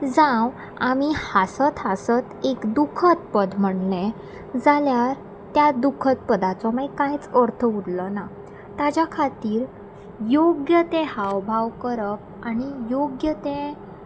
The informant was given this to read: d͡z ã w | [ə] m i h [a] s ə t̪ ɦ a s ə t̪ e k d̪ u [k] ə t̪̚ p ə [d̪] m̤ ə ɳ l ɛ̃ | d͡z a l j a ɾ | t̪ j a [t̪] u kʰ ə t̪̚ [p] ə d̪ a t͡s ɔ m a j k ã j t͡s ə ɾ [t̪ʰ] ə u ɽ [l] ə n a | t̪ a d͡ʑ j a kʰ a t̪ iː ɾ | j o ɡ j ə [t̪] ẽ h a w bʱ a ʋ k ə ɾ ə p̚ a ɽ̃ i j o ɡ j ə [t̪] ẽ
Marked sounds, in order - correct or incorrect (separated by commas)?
incorrect, correct, incorrect, correct, incorrect, correct, correct, correct, correct, correct